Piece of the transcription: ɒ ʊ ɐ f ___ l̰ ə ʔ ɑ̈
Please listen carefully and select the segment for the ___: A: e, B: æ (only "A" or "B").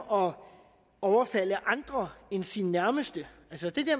B